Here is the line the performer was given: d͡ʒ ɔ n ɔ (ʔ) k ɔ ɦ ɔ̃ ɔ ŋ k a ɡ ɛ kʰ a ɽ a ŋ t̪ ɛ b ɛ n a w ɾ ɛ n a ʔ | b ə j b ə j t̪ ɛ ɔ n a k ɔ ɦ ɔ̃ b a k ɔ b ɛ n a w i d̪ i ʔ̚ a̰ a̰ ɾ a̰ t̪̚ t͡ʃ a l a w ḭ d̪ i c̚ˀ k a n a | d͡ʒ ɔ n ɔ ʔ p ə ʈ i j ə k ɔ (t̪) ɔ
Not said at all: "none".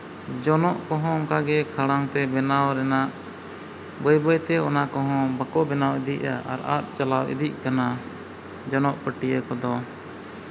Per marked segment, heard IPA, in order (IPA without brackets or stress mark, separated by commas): ʔ, d̪